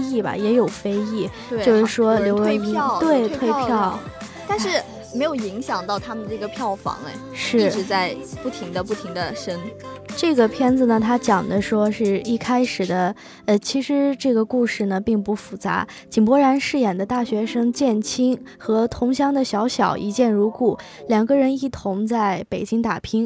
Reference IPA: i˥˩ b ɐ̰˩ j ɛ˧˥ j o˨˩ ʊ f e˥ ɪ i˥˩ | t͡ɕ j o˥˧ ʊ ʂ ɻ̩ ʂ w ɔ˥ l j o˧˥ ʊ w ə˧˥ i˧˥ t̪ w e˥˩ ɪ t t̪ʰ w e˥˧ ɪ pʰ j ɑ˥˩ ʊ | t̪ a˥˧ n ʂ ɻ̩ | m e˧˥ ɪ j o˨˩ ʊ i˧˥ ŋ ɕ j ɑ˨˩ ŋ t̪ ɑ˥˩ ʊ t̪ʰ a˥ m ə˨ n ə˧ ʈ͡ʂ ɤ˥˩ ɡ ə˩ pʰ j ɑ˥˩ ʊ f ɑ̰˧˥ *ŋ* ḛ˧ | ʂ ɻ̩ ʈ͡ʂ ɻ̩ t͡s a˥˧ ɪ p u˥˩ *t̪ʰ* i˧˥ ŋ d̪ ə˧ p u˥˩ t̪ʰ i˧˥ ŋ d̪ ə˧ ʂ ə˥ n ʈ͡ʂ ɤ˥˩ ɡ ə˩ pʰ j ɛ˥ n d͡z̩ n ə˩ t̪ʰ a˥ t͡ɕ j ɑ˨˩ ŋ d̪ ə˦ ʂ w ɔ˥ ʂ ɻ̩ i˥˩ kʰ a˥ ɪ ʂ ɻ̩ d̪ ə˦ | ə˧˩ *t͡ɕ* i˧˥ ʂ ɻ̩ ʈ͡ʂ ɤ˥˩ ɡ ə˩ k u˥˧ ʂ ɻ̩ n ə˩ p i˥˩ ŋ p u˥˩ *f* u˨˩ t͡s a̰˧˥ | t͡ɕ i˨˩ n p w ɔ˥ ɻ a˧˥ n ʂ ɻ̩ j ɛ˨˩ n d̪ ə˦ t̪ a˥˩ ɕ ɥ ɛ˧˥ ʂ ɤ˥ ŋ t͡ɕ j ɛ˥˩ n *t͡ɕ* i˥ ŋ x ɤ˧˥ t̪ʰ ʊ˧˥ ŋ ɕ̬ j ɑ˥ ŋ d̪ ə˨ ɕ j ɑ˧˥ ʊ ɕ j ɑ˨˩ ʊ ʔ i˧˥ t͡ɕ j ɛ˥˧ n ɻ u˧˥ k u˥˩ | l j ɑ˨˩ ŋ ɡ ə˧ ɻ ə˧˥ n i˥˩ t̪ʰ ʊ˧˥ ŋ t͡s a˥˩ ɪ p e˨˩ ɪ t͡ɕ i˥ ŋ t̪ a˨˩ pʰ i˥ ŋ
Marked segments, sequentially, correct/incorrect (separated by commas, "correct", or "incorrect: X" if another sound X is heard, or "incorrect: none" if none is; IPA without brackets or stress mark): correct, correct, incorrect: t͡ɕʰ, correct, incorrect: t͡ɕʰ